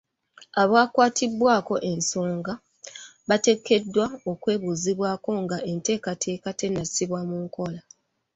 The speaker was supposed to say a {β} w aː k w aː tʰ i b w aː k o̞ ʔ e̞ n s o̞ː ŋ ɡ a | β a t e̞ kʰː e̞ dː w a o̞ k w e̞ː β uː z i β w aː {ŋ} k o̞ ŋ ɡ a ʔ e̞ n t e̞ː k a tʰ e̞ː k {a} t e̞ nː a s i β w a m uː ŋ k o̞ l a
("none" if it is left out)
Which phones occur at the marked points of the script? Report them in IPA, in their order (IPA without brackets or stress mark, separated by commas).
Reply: β, none, a